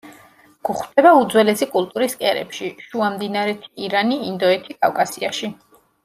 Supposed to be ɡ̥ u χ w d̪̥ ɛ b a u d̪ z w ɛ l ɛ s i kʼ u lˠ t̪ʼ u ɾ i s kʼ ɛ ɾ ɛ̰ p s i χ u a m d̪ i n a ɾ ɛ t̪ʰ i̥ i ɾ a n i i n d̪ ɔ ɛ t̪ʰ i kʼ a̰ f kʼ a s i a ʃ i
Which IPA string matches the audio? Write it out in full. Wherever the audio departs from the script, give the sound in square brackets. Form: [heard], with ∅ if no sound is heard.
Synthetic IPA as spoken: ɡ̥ u χ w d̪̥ ɛ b a u d̪ z w ɛ l ɛ s i kʼ u lˠ t̪ʼ u ɾ i s kʼ ɛ ɾ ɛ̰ p [ʃ] i [ʃ] u a m d̪ i n a ɾ ɛ t̪ʰ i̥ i ɾ a n i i n d̪ ɔ ɛ t̪ʰ i kʼ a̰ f kʼ a s i a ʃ i